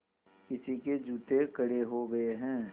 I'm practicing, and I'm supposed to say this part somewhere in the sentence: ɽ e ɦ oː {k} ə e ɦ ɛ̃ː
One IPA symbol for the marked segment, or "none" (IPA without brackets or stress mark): ɡ